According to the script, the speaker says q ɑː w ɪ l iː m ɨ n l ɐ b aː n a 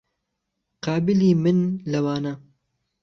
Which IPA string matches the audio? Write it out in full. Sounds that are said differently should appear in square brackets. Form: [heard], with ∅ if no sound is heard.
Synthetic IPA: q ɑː [b] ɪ l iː m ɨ n l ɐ [w] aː n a